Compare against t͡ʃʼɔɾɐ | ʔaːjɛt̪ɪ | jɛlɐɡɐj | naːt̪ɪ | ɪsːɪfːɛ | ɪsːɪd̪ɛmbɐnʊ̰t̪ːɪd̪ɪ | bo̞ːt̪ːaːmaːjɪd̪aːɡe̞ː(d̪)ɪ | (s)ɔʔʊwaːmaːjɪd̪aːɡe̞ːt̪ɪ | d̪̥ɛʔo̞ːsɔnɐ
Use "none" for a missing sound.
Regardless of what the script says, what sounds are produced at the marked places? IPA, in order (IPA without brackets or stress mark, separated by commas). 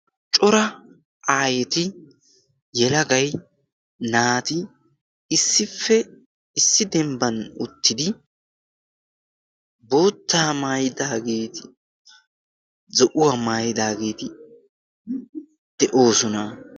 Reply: t̪, z